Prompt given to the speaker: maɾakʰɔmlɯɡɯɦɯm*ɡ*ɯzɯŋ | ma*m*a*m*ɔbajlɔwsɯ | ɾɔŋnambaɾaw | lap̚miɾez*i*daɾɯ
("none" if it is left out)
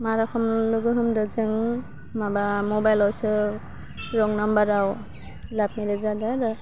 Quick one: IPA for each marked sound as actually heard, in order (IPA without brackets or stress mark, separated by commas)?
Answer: d, b, m, a